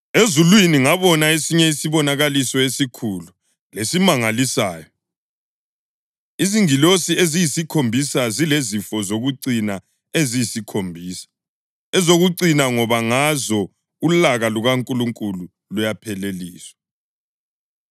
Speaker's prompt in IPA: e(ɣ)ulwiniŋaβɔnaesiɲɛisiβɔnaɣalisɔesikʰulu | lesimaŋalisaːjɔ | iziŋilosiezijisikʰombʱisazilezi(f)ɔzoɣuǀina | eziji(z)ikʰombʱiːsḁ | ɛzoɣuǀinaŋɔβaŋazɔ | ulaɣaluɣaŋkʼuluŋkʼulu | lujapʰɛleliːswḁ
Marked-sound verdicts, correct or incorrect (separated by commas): incorrect, correct, incorrect